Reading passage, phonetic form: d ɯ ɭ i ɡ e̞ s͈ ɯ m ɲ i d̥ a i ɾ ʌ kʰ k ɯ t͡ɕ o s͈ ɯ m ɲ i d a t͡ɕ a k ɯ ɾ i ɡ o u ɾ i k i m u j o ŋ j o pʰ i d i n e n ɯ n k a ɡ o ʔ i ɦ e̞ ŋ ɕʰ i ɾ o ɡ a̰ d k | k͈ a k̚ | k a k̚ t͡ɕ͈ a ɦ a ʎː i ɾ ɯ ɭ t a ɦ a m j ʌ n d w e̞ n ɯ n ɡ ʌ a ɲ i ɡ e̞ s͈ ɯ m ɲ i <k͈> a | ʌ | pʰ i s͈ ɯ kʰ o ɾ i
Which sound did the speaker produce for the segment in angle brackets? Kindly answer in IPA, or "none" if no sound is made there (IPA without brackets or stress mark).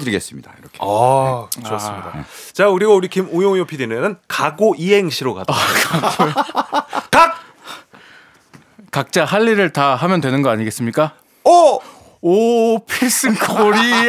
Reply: k͈